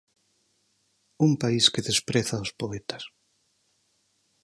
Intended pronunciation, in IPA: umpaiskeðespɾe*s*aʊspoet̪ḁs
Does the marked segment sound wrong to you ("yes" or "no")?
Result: yes